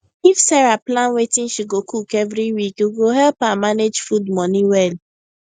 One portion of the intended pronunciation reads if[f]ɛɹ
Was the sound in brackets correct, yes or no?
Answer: no